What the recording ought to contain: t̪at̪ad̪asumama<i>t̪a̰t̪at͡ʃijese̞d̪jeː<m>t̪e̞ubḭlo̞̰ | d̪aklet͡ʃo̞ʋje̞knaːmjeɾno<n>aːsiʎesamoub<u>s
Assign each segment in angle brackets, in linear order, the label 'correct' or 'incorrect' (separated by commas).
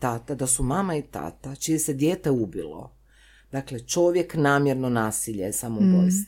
correct, incorrect, correct, incorrect